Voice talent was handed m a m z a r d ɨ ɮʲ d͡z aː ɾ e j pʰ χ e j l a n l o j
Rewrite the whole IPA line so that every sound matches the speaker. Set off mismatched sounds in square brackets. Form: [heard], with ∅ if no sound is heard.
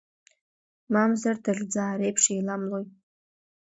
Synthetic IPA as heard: m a m z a r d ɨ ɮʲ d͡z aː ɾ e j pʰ [ʂ] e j l a [m] l o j